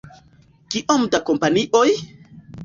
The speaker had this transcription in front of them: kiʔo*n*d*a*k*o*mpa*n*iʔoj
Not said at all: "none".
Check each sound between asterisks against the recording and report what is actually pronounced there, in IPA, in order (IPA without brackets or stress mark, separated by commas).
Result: m, a, o, n